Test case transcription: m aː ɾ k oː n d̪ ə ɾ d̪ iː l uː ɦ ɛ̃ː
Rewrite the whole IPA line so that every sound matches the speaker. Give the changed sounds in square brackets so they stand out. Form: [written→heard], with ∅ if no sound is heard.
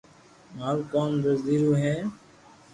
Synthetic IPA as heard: m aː [ɾ→l] k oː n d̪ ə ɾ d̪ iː [l→ɾ] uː ɦ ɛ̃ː